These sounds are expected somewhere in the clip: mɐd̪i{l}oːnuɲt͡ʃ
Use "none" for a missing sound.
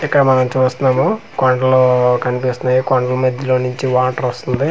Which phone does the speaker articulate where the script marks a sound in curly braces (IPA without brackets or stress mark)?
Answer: l